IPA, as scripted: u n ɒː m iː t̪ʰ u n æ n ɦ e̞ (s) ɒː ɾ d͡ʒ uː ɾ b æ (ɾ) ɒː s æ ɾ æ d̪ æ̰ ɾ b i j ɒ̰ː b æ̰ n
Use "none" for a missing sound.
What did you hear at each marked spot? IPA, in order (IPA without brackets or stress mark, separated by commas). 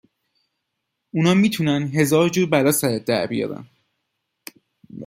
z, l